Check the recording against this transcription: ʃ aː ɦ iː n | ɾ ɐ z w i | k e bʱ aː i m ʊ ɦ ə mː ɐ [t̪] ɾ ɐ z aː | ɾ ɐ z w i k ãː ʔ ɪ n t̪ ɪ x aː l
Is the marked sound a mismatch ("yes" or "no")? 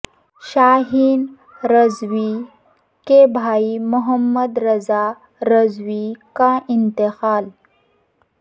yes